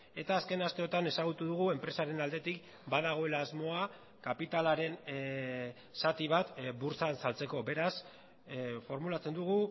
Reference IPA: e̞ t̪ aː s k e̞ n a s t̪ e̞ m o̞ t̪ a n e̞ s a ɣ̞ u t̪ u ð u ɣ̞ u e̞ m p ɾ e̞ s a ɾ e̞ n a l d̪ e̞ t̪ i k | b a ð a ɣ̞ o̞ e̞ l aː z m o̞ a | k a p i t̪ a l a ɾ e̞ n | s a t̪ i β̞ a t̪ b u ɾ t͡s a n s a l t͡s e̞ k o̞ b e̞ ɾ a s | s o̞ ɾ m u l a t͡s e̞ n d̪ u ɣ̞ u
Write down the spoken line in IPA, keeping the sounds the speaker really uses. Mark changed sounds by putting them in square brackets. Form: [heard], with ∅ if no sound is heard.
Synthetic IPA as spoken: e̞ t̪ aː s k e̞ n a s t̪ e̞ [∅] o̞ t̪ a n e̞ s a ɣ̞ u t̪ u ð u ɣ̞ u e̞ m p ɾ e̞ s a ɾ e̞ n a l d̪ e̞ t̪ i k | b a ð a ɣ̞ o̞ e̞ l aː z m o̞ a | k a p i t̪ a l a ɾ e̞ n | s a t̪ i β̞ a t̪ b u ɾ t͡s a n s a l t͡s e̞ k o̞ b e̞ ɾ a s | [f] o̞ ɾ m u l a t͡s e̞ n d̪ u ɣ̞ u